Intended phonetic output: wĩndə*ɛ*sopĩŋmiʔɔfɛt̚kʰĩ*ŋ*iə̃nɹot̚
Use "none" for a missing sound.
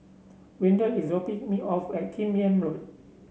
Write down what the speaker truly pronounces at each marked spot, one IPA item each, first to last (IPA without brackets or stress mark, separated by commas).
i, m